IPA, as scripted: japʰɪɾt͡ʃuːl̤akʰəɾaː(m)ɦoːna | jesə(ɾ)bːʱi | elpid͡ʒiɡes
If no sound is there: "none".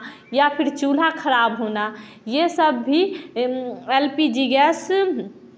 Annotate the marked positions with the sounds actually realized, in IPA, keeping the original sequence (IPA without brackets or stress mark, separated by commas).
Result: b, none